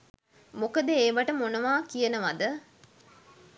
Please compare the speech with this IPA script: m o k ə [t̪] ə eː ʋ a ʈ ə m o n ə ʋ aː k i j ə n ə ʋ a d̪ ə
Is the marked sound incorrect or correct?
incorrect: d̪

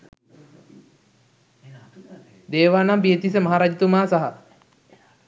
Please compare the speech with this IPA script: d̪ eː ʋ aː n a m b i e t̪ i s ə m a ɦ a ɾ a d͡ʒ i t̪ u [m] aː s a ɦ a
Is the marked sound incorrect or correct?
correct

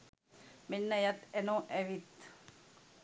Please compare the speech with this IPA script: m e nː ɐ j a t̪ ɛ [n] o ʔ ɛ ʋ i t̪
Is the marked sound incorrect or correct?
correct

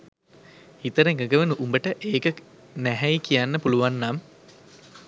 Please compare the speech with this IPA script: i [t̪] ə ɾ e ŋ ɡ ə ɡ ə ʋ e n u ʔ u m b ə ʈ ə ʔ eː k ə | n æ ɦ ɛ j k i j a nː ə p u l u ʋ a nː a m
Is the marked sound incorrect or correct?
correct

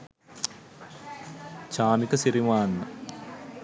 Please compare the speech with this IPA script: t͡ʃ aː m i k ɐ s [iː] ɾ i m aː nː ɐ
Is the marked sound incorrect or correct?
incorrect: i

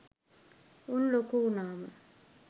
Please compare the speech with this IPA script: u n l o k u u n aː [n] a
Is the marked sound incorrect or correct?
incorrect: m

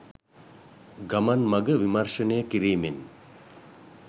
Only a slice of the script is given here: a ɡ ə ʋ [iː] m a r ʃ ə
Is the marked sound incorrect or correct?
incorrect: i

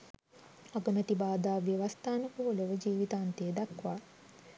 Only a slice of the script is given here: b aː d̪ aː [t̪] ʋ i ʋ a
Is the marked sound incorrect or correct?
incorrect: none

